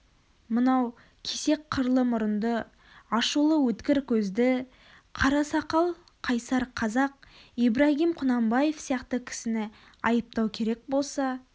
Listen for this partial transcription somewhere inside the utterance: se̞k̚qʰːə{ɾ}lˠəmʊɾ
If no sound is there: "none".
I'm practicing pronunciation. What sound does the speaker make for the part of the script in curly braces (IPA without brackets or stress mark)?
ɾ